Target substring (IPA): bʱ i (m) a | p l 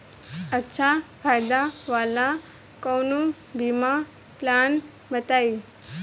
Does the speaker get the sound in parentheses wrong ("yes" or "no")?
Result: no